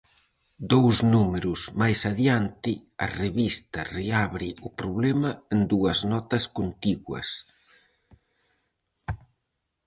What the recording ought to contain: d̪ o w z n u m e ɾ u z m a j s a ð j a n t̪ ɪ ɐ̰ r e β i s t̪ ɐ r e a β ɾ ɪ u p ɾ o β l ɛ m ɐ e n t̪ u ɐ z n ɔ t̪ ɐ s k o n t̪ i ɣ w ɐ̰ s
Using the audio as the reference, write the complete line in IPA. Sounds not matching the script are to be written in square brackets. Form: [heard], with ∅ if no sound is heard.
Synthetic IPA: d̪ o w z n u m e ɾ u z m a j s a ð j a n t̪ ɪ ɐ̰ r e β i s t̪ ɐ r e a β ɾ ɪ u p ɾ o β l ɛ m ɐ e n [d̪] u ɐ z n ɔ t̪ ɐ s k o n t̪ i ɣ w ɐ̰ s